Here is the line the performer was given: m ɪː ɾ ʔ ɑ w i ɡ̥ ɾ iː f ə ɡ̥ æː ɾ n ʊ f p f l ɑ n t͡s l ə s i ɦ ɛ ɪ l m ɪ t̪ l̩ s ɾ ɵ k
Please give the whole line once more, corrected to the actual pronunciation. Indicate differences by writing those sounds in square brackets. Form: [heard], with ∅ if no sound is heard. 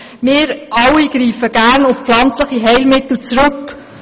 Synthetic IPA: m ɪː ɾ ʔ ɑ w i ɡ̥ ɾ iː f ə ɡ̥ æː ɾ n ʊ f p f l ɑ n t͡s l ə [χ] i ɦ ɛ ɪ l m ɪ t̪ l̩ [t͡s] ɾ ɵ k